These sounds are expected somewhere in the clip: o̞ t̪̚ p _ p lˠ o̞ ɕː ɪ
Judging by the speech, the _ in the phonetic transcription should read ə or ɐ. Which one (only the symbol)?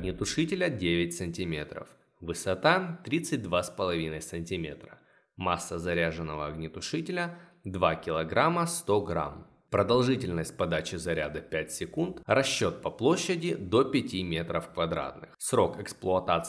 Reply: ɐ